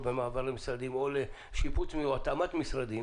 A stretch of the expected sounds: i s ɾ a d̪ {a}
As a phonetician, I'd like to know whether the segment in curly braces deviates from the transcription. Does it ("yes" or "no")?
yes